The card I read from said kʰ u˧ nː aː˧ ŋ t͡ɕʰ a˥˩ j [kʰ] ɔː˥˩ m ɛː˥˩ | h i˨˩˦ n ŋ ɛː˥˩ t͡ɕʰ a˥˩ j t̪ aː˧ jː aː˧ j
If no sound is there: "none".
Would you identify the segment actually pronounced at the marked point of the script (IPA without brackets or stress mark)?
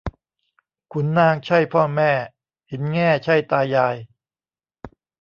pʰ